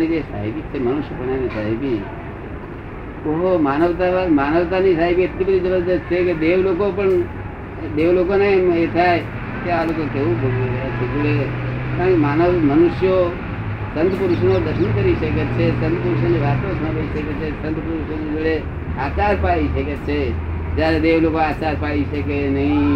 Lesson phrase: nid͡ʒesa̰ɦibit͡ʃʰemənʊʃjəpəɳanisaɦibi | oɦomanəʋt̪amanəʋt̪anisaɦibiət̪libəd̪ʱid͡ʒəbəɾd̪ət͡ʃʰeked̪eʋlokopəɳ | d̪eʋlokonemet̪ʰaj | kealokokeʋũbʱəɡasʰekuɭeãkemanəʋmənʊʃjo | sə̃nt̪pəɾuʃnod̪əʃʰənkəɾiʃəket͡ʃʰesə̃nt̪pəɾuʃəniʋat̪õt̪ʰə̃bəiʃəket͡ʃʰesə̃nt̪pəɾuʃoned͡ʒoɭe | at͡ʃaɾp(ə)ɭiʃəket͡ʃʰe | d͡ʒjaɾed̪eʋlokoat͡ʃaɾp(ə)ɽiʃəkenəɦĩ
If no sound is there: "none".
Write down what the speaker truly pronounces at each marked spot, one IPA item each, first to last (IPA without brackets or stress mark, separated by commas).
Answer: a, a